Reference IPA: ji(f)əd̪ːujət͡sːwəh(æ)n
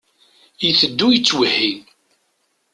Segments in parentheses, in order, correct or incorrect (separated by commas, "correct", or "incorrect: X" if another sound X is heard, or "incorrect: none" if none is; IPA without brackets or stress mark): incorrect: θ, incorrect: i